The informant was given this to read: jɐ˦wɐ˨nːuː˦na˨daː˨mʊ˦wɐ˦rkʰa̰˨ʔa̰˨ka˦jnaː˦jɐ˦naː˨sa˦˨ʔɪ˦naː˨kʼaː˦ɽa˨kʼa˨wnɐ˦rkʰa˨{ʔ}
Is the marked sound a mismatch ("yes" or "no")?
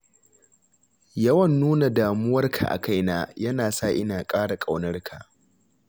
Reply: no